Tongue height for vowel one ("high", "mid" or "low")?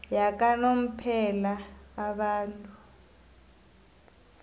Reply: low